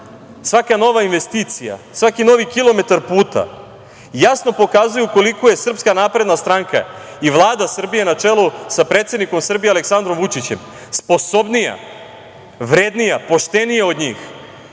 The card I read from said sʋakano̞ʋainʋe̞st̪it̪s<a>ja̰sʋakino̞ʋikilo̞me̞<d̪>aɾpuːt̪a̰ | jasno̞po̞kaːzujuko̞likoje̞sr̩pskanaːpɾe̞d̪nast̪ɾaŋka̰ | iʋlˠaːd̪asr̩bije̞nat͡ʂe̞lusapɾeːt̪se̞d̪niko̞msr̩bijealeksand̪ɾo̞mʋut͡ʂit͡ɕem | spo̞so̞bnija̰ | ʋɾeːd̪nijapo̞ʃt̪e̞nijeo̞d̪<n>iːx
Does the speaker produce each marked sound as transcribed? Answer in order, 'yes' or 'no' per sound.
no, no, no

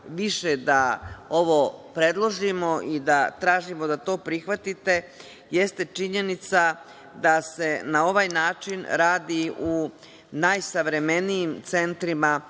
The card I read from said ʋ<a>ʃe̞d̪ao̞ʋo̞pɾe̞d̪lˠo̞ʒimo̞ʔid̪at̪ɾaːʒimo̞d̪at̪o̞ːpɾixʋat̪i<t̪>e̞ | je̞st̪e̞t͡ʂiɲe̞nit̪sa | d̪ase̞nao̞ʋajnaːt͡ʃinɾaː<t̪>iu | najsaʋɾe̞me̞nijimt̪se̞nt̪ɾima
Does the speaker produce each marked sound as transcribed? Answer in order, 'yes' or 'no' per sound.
no, yes, no

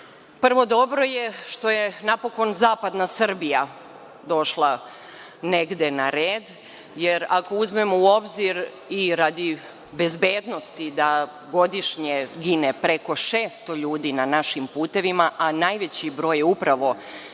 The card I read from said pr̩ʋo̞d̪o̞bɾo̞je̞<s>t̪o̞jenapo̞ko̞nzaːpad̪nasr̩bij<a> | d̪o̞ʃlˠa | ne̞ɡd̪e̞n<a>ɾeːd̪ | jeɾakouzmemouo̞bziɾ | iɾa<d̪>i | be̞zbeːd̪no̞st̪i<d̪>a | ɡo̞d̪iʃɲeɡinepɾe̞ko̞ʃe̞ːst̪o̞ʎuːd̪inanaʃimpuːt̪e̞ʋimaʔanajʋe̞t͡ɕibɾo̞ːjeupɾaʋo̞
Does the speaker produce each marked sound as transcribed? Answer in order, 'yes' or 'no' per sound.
no, yes, yes, yes, yes

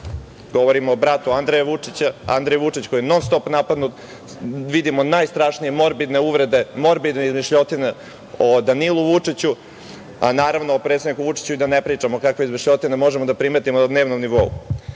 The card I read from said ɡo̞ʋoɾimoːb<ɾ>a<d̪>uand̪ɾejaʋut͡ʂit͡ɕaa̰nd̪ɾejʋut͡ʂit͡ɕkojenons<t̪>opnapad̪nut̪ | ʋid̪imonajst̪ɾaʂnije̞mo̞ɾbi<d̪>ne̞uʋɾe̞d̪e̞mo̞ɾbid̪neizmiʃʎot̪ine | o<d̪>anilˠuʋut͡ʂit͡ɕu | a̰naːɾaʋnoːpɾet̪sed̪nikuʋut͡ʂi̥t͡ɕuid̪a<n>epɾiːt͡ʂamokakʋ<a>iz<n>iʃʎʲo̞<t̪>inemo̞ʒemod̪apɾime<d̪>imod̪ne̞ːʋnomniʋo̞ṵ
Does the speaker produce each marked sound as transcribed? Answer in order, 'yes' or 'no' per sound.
yes, no, yes, yes, yes, yes, no, no, yes, no

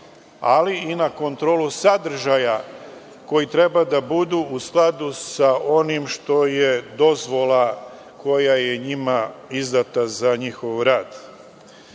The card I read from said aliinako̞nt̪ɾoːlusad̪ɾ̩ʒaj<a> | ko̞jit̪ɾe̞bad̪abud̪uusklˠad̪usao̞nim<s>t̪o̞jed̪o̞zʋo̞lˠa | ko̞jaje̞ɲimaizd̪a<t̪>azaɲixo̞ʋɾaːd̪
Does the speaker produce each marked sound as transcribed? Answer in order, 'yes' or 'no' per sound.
yes, no, yes

